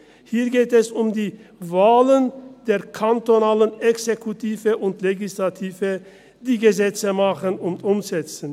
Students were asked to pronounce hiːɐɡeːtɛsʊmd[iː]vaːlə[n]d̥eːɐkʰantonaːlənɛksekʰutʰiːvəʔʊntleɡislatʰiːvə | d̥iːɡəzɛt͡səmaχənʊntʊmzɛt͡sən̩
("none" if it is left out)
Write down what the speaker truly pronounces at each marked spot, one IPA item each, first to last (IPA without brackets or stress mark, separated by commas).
iː, n